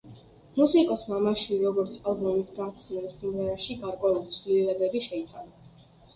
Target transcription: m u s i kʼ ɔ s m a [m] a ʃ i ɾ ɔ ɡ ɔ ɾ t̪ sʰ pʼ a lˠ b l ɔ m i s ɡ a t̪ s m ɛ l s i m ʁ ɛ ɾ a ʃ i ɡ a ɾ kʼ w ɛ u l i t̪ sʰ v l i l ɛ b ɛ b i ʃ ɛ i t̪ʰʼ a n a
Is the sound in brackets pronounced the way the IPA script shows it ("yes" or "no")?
yes